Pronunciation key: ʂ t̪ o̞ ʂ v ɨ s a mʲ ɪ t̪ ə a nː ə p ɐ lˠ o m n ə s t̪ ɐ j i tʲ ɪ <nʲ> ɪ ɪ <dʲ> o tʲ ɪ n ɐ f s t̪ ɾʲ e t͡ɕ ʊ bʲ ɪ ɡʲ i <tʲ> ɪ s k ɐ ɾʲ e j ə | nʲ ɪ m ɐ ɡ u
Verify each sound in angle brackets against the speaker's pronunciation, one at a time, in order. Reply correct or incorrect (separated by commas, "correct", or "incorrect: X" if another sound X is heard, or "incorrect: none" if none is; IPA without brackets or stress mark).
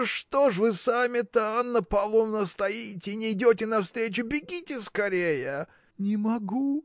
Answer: correct, correct, correct